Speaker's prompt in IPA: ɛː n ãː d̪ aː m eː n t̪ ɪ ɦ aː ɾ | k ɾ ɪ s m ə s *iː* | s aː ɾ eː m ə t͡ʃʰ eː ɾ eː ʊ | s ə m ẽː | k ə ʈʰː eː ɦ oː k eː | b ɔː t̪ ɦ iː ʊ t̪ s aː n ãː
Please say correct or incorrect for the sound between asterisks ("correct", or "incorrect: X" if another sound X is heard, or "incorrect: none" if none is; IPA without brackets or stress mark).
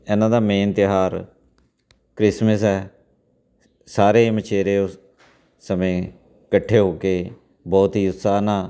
incorrect: ɛː